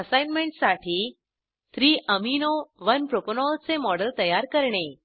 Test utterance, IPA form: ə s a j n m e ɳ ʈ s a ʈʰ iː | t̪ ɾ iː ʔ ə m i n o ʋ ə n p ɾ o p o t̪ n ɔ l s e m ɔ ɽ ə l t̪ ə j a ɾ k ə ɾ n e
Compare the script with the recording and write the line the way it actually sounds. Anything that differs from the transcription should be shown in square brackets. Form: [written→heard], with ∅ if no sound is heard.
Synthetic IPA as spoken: ə s a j n m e ɳ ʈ s a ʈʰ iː | t̪ ɾ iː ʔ ə m i n o ʋ ə n p ɾ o p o [t̪→∅] n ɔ l [s→t͡s] e m ɔ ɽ ə l t̪ ə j a ɾ k ə ɾ [n→ɳ] e